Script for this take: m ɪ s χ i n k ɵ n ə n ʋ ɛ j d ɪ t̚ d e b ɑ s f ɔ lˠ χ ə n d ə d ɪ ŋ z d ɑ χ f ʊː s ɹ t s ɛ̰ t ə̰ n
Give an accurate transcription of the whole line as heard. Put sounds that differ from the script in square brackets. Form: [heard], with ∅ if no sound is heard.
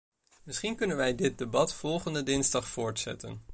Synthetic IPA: m ɪ s χ i n k ɵ n ə n ʋ ɛ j d ɪ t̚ d e b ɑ [t] f ɔ lˠ χ ə n d ə d ɪ [n] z d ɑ χ f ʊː [∅] ɹ t s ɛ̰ t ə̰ n